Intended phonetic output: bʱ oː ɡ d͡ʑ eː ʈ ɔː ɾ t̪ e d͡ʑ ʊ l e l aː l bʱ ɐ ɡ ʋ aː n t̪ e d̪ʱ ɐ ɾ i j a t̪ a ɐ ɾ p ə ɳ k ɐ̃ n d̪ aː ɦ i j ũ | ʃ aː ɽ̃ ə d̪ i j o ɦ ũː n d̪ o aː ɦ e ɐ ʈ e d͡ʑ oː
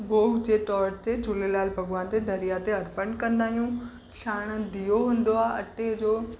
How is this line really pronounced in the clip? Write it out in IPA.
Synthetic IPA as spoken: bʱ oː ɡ d͡ʑ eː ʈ ɔː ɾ t̪ e d͡ʑ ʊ l e l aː l bʱ ɐ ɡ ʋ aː n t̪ e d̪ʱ ɐ ɾ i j a t̪ e ɐ ɾ p ə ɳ k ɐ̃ n d̪ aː ɦ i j ũ | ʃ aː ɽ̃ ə d̪ i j o ɦ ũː n d̪ o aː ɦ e ɐ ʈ e d͡ʑ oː